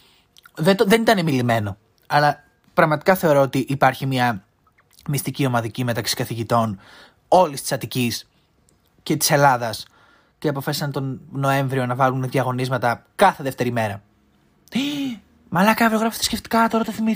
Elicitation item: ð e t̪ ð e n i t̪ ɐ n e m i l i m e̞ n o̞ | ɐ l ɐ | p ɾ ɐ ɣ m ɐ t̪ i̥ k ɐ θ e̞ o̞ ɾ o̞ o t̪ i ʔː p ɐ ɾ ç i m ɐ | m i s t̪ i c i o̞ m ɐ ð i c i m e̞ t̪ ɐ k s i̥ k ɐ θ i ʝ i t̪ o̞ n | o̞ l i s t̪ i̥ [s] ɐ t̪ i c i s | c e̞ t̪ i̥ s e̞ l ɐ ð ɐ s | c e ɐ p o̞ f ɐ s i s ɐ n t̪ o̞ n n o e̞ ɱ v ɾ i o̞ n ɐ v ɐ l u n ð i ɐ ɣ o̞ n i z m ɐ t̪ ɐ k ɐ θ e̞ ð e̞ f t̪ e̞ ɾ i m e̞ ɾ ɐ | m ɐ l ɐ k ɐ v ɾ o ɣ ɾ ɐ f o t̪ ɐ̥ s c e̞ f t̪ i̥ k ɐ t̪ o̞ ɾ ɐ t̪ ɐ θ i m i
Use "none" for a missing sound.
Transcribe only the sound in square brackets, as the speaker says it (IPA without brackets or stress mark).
s